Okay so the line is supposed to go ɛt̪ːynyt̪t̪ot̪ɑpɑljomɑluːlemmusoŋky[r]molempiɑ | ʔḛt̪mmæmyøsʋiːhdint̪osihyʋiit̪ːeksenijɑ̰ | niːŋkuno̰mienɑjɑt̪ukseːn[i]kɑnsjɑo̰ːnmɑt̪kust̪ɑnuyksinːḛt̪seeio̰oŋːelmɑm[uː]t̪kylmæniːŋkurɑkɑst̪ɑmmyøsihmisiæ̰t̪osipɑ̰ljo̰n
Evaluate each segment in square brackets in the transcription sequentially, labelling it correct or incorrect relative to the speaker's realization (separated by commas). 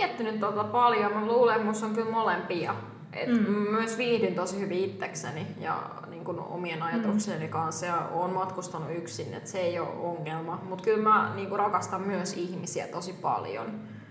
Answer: incorrect, correct, incorrect